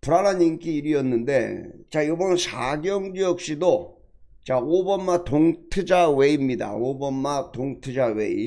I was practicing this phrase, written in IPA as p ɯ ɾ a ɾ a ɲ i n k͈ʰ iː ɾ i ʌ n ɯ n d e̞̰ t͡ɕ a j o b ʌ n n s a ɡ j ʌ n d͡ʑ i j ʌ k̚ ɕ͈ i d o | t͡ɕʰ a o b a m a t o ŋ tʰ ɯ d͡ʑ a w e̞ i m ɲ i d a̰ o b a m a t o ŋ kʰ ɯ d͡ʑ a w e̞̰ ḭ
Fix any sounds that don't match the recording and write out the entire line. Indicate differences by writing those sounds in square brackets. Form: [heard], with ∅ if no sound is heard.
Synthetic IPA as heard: p [u] ɾ a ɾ a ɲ i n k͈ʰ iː ɾ i ʌ [nː] ɯ n d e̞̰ t͡ɕ a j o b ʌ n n s a ɡ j ʌ [ŋ] d͡ʑ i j ʌ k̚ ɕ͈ i d o | [t͡ɕ] a o b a m a t o ŋ tʰ ɯ d͡ʑ a w e̞ i m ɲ i d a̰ o b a m a t o ŋ [tʰ] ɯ d͡ʑ a w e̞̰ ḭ

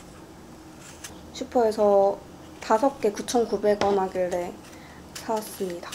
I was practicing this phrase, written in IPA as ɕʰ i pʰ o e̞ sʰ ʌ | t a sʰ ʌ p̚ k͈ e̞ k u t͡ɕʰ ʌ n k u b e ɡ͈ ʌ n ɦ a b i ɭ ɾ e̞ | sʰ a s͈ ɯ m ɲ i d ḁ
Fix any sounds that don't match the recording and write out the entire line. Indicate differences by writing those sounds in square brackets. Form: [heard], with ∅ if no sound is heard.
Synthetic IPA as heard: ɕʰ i pʰ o e̞ sʰ ʌ | t a sʰ ʌ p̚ k͈ e̞ k u t͡ɕʰ ʌ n k u b e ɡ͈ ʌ n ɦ a [ɡ] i ɭ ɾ e̞ | sʰ a s͈ ɯ m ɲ i d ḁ

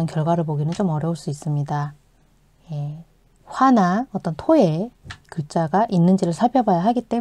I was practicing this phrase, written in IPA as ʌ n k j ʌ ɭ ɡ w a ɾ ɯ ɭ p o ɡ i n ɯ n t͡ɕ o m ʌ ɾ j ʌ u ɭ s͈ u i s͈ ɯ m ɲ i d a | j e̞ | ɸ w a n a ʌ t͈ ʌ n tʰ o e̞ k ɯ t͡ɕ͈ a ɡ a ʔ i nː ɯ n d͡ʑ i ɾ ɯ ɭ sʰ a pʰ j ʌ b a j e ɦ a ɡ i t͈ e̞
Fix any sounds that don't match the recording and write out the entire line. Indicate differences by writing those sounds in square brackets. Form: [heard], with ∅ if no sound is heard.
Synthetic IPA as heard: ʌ n k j ʌ ɭ ɡ w a ɾ ɯ ɭ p o ɡ i n ɯ n t͡ɕ o m ʌ ɾ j ʌ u ɭ s͈ u i s͈ ɯ m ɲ i d a | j e̞ | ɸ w a n a ʌ t͈ ʌ n tʰ o e̞ k ɯ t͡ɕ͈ a ɡ a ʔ i nː ɯ n d͡ʑ i ɾ ɯ ɭ sʰ a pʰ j ʌ b a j [a] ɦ a ɡ i t͈ e̞

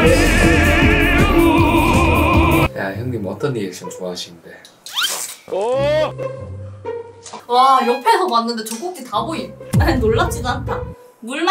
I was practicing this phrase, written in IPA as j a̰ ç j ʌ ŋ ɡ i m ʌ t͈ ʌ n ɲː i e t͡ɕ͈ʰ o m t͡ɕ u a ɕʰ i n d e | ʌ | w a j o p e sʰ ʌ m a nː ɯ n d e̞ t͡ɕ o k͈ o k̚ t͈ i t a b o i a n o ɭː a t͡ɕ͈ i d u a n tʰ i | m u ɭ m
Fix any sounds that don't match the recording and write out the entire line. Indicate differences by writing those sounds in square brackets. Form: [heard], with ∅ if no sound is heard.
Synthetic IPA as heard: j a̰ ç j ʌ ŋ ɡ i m ʌ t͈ ʌ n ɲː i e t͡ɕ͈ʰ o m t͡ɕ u a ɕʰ i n d e | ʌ | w a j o [pʰ] e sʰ ʌ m a nː ɯ n d e̞ t͡ɕ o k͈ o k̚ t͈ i t a b o i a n o ɭː a t͡ɕ͈ i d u a n tʰ [a] | m u ɭ m

